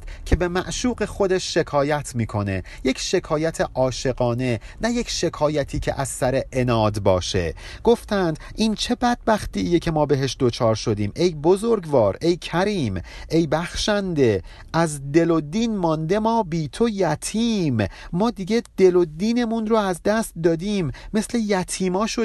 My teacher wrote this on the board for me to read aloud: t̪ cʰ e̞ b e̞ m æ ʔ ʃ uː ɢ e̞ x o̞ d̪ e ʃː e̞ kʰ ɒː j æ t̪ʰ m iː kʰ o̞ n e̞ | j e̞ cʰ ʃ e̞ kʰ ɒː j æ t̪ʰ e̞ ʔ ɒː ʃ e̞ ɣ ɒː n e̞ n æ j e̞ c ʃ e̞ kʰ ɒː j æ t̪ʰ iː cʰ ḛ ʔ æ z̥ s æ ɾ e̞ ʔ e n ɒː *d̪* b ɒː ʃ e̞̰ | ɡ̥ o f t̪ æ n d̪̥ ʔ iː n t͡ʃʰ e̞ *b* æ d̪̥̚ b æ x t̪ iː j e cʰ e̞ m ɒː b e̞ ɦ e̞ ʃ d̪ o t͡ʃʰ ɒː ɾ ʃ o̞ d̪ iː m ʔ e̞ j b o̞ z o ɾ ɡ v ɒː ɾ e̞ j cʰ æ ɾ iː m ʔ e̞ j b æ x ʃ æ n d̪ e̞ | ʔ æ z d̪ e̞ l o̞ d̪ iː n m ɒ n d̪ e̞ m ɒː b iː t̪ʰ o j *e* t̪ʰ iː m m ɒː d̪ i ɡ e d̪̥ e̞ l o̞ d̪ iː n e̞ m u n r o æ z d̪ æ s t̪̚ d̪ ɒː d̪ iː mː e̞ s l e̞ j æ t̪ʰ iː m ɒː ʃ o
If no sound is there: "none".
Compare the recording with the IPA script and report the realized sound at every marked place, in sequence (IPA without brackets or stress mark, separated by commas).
d̪, b, æ